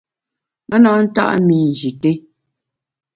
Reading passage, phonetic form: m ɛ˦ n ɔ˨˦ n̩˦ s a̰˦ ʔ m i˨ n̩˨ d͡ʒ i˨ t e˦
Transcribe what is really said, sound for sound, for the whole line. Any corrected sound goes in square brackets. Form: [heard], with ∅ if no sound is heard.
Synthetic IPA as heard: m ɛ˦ n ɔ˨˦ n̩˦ [t] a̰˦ ʔ m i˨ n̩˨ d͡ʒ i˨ t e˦